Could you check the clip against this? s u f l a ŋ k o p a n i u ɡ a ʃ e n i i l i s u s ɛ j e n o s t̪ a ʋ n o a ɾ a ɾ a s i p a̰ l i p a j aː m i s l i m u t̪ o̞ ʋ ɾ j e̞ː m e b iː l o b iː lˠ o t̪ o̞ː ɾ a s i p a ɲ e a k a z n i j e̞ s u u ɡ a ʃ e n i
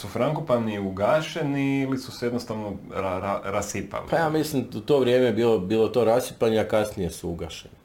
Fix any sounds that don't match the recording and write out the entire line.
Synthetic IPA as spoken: s u f ɾ a ŋ k o p a n i u ɡ a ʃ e n i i l i s u s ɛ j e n o s t̪ a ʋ n o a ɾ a ɾ a s i p a̰ l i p a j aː m i s l i m u t̪ o̞ ʋ ɾ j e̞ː m e b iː l o b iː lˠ o t̪ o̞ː ɾ a s i p a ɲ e a k a s n i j e̞ s u u ɡ a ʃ e n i